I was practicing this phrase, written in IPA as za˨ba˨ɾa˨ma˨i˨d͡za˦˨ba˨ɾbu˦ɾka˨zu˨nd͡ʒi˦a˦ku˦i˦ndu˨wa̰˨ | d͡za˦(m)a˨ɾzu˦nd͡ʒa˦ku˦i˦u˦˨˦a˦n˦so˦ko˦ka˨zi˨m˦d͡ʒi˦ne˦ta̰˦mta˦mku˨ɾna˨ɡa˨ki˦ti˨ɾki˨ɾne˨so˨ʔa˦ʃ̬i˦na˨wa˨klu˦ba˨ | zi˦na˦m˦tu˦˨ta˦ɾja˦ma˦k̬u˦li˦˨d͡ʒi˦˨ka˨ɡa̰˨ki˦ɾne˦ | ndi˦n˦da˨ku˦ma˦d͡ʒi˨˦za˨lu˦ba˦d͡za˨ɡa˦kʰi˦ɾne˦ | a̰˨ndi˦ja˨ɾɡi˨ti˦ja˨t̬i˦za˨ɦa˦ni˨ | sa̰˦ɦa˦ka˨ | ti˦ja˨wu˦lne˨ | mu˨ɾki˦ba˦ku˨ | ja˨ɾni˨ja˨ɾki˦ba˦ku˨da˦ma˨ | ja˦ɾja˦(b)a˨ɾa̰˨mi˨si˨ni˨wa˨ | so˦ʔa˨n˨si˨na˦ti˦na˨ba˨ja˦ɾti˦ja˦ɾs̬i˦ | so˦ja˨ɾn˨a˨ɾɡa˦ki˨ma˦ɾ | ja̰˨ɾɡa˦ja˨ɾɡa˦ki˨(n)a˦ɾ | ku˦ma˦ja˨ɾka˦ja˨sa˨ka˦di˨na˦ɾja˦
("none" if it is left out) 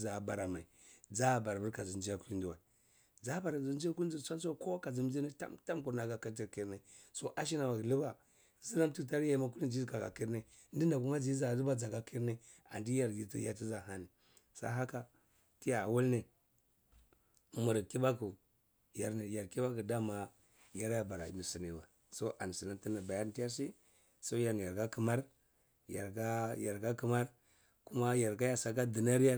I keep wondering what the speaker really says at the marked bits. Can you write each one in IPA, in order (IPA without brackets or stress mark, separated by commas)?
b, b, m